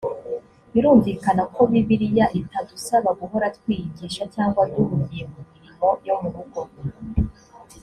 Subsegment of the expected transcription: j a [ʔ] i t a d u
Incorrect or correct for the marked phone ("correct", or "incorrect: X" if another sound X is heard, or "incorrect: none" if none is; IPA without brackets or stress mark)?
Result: correct